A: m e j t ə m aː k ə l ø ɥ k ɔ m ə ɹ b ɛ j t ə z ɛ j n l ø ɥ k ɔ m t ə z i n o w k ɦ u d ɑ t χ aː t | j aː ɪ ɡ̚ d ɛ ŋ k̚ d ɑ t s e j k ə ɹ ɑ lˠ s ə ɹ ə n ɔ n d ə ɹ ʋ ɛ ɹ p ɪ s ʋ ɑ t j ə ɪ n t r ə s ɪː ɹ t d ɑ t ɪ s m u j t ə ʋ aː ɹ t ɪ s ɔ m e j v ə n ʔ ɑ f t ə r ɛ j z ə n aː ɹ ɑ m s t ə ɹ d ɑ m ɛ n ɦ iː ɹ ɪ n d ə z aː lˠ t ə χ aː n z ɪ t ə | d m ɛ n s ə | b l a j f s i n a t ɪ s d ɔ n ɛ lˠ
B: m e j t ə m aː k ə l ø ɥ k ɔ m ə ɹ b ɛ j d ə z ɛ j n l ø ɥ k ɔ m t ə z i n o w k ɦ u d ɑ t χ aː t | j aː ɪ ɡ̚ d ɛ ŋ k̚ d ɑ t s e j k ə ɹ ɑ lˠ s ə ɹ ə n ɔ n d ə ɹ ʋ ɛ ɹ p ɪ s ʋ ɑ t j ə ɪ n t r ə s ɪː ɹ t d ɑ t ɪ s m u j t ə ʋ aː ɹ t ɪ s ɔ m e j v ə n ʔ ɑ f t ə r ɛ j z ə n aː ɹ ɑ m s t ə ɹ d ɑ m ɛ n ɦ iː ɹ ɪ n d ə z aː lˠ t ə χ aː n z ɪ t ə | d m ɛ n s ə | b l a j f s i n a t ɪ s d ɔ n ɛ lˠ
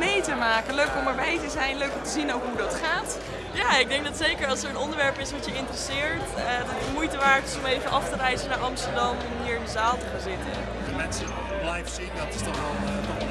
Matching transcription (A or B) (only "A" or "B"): A